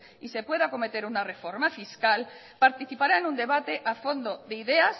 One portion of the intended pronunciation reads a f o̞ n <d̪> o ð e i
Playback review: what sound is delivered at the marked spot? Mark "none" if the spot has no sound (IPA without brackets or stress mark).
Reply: d̪